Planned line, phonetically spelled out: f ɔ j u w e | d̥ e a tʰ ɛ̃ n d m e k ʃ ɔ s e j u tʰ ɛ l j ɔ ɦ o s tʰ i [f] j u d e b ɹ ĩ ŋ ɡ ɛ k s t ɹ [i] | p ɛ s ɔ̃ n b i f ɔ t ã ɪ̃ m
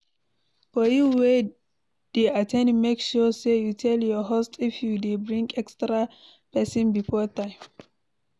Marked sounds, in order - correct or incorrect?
correct, incorrect: a

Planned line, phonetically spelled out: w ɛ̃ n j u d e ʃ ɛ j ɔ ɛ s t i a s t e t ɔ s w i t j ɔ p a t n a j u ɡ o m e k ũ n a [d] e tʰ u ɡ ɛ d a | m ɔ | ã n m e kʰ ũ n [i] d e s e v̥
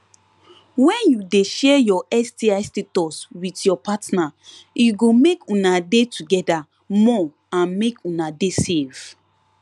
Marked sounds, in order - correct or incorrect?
correct, incorrect: a

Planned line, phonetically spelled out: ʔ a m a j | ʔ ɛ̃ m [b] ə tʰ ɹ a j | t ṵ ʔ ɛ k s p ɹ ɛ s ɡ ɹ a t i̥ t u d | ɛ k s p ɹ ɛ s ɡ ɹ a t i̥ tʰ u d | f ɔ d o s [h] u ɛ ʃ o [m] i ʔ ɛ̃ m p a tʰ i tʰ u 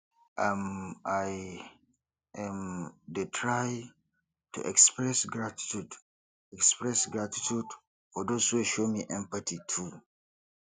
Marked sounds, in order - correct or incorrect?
incorrect: d, correct, correct

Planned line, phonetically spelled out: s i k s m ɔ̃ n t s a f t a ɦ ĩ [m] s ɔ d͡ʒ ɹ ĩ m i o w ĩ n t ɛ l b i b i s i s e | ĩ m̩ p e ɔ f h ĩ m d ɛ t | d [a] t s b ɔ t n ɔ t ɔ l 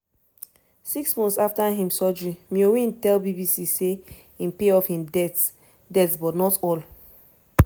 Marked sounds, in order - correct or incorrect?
correct, incorrect: ɛ

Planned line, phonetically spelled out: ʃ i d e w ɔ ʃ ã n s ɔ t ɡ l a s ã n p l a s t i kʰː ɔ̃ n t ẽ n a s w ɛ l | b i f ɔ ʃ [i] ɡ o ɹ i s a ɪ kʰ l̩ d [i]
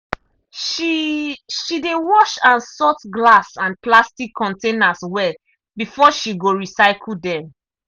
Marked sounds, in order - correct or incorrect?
correct, incorrect: ɛ

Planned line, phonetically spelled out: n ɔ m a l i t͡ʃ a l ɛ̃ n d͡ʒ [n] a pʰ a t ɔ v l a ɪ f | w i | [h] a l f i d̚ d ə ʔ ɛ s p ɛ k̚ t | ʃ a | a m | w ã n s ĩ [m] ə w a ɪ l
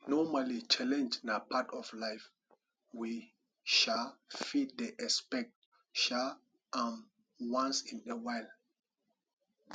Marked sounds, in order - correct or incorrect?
correct, incorrect: ʃ, incorrect: n

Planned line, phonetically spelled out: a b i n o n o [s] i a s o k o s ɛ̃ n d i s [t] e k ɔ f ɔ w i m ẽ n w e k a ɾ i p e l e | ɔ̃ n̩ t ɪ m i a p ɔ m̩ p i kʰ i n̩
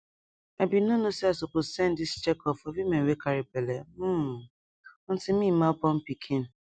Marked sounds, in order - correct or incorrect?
correct, incorrect: t͡ʃ

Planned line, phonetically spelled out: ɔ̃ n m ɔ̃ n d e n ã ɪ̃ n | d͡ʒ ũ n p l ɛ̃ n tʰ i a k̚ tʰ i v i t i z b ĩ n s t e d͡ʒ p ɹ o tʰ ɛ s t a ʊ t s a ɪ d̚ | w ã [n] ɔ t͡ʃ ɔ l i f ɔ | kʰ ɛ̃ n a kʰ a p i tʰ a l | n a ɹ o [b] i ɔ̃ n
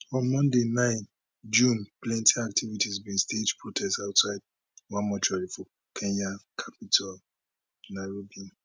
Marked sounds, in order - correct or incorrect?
incorrect: m, correct

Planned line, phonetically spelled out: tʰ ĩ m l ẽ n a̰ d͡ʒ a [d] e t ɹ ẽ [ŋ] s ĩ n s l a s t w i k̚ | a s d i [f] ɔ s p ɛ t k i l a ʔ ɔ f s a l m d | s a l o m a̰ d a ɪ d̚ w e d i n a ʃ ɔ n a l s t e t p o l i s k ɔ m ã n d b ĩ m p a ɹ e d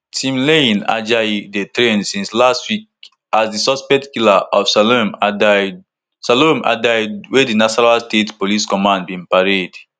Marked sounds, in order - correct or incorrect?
correct, incorrect: n, incorrect: s

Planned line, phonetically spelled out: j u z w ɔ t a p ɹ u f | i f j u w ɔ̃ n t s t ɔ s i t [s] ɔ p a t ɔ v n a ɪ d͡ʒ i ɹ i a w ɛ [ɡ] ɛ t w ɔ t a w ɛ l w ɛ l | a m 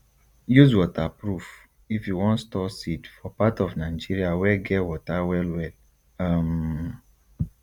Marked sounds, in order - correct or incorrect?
incorrect: f, correct

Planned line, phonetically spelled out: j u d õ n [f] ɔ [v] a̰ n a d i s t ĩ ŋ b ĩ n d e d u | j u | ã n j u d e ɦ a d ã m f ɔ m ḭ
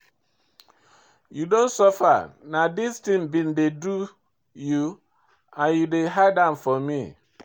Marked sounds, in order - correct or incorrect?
incorrect: s, incorrect: f

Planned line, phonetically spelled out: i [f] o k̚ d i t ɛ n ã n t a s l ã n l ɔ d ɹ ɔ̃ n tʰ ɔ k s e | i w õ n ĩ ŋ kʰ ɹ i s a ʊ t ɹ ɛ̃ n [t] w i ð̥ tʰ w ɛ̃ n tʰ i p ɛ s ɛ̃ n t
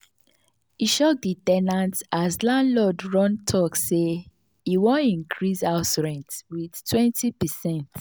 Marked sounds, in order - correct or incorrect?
incorrect: ʃ, correct

